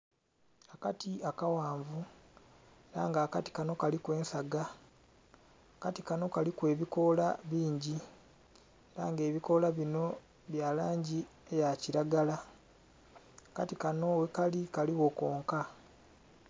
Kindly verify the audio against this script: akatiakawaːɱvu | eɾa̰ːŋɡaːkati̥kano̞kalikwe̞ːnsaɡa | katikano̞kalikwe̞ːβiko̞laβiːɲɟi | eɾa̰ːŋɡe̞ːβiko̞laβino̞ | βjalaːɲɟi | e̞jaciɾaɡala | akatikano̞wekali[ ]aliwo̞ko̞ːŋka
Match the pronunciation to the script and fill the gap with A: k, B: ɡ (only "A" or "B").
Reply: A